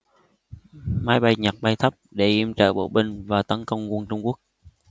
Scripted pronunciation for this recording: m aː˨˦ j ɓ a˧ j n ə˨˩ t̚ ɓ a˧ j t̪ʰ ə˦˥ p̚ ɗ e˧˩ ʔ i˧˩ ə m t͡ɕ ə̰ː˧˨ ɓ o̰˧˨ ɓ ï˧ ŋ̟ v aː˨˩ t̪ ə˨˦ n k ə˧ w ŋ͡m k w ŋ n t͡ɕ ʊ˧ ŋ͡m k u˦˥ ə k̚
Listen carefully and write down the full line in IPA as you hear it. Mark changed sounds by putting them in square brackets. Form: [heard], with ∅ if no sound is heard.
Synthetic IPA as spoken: m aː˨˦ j ɓ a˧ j [ɲ] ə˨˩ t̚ ɓ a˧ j t̪ʰ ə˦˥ p̚ ɗ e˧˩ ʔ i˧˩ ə m t͡ɕ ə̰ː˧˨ ɓ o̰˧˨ ɓ ï˧ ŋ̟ v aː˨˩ t̪ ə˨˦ n k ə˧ w ŋ͡m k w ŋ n t͡ɕ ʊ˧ ŋ͡m k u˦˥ ə k̚

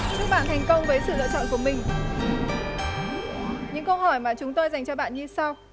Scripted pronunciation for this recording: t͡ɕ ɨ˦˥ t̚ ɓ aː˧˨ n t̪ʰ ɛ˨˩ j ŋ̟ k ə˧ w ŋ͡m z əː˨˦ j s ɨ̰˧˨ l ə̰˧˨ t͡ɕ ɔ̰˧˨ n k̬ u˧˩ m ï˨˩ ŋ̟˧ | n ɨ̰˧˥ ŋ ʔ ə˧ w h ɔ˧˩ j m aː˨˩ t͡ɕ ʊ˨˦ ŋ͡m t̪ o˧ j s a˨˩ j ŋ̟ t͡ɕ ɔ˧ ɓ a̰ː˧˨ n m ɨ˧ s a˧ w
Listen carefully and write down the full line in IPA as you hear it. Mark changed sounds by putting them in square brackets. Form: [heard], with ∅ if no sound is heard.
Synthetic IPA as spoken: t͡ɕ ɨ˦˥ [k̚] ɓ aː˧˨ n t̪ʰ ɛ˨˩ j ŋ̟ k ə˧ w ŋ͡m [v] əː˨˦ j s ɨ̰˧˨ l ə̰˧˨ t͡ɕ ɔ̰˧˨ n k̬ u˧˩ m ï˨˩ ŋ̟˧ | [ɲ] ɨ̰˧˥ ŋ [k] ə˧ w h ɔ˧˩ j m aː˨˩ t͡ɕ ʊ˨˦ ŋ͡m t̪ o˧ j [z] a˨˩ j ŋ̟ t͡ɕ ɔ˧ ɓ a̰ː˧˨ n [ɲ] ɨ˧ s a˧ w

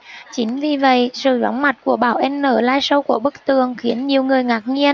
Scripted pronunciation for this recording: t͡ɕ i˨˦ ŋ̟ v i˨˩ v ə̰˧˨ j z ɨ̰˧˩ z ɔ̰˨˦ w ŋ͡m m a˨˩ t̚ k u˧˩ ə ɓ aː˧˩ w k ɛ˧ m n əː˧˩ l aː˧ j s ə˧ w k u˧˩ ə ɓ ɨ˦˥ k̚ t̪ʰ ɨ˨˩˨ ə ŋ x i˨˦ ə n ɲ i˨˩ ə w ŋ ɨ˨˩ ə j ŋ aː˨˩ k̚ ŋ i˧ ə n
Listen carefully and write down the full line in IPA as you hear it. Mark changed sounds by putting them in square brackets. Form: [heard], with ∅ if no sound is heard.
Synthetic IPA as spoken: t͡ɕ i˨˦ ŋ̟ v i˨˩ v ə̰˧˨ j [s] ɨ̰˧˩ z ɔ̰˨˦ w ŋ͡m m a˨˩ t̚ k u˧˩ ə ɓ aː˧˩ w [ʔ] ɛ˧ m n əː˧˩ l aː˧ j s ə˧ w k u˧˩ ə ɓ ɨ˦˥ k̚ [t̪] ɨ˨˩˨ ə ŋ x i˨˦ ə n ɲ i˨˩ ə w ŋ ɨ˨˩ ə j ŋ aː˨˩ k̚ ŋ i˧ ə n

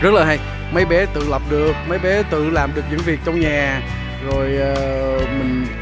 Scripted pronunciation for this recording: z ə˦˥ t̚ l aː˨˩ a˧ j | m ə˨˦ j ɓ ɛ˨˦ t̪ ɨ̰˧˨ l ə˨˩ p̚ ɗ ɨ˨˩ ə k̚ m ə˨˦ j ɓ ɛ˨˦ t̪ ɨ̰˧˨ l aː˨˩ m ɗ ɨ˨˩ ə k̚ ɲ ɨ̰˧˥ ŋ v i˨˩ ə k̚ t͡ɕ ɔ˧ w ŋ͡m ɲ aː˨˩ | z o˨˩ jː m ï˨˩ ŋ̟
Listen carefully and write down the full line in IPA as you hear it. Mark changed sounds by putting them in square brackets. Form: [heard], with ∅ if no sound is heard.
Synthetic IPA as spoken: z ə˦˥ t̚ l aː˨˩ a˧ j | m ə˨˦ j ɓ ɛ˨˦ t̪ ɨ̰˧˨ l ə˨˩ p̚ ɗ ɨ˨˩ ə k̚ m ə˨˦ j ɓ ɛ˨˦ t̪ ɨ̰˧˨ l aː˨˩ m ɗ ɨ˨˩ ə k̚ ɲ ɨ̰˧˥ ŋ v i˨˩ ə k̚ t͡ɕ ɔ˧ w ŋ͡m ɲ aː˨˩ | z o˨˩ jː m ï˨˩ ŋ̟

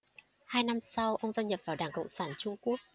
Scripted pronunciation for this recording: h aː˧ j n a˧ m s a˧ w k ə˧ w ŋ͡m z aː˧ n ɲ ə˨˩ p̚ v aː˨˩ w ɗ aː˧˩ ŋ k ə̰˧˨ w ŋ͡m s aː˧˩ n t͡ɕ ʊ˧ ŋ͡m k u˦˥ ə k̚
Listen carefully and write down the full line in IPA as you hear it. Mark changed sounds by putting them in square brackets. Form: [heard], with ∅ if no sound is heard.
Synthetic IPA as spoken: h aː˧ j n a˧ m s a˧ w [ʔ] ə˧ w ŋ͡m z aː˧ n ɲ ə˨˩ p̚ v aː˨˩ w ɗ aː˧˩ ŋ k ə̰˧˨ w ŋ͡m s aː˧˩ n t͡ɕ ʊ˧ ŋ͡m k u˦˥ ə k̚

